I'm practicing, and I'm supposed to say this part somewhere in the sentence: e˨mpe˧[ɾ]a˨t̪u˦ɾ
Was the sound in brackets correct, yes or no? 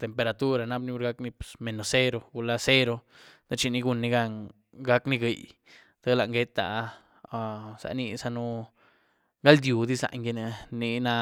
yes